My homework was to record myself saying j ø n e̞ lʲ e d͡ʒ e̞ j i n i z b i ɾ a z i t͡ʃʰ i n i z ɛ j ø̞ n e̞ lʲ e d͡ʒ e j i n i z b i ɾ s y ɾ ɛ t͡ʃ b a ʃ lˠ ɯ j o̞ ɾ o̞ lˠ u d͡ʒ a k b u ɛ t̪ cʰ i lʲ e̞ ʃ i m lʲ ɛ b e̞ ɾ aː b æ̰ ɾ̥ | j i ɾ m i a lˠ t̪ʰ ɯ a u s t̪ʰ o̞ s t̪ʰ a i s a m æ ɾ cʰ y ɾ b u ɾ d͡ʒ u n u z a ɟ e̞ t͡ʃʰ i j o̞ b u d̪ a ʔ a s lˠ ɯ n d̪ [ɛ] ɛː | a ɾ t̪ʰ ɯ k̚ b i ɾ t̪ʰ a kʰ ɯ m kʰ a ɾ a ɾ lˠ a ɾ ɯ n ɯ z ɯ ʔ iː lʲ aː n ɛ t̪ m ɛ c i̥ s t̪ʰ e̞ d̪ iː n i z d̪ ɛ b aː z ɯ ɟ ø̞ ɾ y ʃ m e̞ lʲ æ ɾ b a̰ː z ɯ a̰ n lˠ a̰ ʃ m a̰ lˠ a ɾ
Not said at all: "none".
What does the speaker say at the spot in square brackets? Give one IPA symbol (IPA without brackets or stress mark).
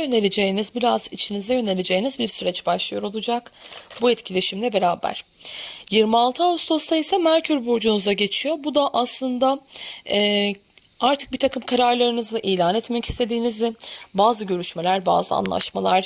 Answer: a